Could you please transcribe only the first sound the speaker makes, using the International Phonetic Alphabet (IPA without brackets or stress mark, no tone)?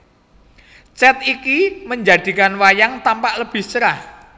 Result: t͡ʃ